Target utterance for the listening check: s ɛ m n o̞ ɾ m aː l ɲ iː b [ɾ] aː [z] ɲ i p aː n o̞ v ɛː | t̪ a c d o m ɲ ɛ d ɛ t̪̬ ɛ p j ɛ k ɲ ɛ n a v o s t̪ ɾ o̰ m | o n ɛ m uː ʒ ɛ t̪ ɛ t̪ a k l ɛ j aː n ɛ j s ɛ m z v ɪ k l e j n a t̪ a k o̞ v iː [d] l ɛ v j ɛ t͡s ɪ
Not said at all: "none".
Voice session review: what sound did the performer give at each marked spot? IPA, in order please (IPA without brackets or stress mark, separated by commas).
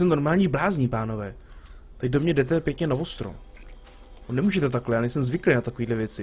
l, z, d